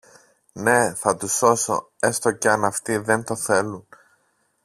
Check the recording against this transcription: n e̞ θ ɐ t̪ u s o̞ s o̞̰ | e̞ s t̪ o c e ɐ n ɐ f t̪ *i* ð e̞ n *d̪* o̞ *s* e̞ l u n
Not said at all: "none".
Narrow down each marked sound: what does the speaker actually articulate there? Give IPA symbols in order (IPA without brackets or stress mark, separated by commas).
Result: i, t̪, θ